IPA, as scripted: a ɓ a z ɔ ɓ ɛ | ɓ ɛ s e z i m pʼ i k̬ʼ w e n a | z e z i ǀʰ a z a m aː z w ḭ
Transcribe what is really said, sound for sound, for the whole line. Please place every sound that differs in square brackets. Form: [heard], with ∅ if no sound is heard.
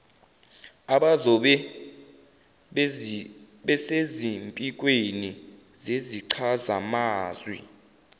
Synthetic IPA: a ɓ a z ɔ ɓ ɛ | ɓ ɛ s e z i m pʼ i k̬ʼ w e n [i] | z e z i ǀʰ a z a m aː z w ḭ